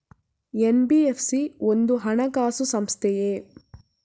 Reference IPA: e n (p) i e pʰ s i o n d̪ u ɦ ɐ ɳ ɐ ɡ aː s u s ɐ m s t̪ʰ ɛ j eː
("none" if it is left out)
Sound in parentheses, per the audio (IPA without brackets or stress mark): b